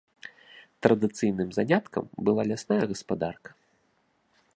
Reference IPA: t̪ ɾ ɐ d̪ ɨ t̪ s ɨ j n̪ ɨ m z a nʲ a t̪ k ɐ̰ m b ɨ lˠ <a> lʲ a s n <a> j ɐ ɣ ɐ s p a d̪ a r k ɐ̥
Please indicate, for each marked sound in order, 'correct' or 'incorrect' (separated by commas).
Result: correct, correct